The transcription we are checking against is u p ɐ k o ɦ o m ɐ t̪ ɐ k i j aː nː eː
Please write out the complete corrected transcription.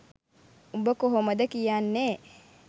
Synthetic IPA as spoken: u b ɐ k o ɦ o m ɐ d̪ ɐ k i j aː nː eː

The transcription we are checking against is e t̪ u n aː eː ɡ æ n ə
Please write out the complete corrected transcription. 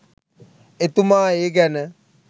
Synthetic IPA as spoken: e t̪ u m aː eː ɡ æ n ə

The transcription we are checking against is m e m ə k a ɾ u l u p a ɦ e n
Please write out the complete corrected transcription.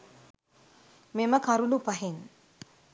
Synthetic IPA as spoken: m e m ə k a ɾ u l u p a ɦ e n

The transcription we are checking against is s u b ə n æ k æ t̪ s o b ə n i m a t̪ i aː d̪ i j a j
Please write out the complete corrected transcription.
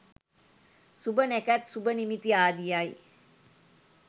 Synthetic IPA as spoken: s u b ə n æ k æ t̪ s u b ə n i m i t̪ i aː d̪ i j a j

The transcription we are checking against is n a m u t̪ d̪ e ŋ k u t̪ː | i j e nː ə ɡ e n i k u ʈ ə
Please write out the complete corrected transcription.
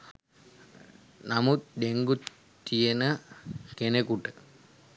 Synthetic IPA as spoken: n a m u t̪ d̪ e ŋ ɡ u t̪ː | i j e n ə k e n e k u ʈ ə

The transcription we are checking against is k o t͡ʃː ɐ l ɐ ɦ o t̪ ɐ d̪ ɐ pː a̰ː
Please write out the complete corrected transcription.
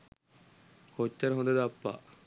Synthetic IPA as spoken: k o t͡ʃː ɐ ɾ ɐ ɦ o d̪ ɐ d̪ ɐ pː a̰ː

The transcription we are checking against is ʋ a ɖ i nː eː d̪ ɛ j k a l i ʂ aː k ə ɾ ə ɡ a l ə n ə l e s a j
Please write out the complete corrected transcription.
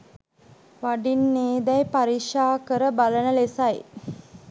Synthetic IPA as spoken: ʋ a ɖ i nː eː d̪ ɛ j p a ɾ i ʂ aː k ə ɾ ə b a l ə n ə l e s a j

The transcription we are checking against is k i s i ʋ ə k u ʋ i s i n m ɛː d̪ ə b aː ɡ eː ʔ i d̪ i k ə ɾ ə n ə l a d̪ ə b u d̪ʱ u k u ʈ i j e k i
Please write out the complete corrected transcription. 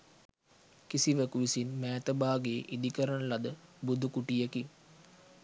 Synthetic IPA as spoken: k i s i ʋ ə k u ʋ i s i n m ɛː t̪ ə b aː ɡ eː ʔ i d̪ i k ə ɾ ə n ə l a d̪ ə b u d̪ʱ u k u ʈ i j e k i

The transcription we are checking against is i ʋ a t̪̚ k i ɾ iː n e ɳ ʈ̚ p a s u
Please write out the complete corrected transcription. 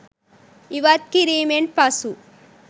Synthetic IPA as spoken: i ʋ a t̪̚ k i ɾ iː m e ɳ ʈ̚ p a s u

